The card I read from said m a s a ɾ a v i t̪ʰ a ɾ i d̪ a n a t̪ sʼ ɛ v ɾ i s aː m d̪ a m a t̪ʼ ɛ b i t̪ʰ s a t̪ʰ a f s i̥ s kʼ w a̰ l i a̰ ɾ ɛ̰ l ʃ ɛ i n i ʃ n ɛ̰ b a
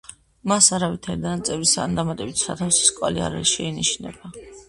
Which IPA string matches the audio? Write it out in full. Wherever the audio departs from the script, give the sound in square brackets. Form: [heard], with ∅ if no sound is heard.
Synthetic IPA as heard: m a s a ɾ a v i t̪ʰ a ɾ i d̪ a n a t̪ sʼ ɛ v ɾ i s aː [n] d̪ a m a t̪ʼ ɛ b i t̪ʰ s a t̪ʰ a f s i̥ s kʼ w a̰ l i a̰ ɾ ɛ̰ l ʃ ɛ i n i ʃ n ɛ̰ b a